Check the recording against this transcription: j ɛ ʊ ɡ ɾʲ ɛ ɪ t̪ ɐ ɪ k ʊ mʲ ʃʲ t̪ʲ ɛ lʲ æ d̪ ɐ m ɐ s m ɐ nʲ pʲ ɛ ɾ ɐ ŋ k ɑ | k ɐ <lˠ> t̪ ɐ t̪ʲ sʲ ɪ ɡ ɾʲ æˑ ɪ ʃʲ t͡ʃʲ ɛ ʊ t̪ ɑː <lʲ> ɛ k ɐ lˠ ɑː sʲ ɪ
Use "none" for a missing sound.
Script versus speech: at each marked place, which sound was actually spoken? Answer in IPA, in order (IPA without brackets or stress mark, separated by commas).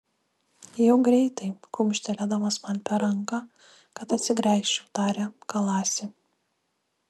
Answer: none, ɾʲ